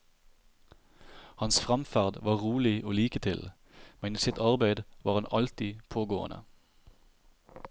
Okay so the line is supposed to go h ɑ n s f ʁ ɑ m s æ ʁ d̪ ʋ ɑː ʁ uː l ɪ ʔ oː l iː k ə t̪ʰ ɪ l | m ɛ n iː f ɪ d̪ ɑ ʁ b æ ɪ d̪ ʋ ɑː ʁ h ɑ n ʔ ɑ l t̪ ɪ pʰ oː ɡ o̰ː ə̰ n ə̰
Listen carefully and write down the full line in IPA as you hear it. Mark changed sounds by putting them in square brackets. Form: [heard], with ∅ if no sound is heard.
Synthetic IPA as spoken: h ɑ n s f ʁ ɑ m [f] æ ʁ d̪ ʋ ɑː ʁ uː l ɪ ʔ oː l iː k ə t̪ʰ ɪ l | m ɛ n iː [s] ɪ [t̪] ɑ ʁ b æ ɪ d̪ ʋ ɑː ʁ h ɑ n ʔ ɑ l t̪ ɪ pʰ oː ɡ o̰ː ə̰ n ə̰